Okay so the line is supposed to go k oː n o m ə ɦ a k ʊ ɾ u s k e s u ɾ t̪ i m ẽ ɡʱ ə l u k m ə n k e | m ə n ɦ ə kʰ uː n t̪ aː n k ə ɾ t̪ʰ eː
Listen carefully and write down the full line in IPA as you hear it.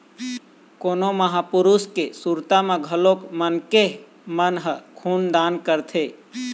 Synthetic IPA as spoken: k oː n o m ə ɦ a p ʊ ɾ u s k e s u ɾ t̪ a m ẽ ɡʱ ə l o k m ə n k e | m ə n ɦ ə kʰ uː n d̪ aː n k ə ɾ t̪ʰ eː